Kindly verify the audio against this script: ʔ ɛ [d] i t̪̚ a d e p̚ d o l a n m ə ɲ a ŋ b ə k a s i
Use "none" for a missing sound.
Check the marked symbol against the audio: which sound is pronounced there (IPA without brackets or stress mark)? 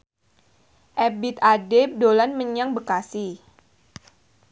b